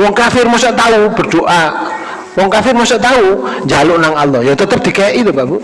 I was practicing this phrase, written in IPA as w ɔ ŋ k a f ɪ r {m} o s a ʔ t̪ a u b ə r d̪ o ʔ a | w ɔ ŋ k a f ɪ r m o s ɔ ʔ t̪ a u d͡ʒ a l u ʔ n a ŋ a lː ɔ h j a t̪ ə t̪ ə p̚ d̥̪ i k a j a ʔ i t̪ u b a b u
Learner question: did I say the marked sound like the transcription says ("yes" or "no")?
yes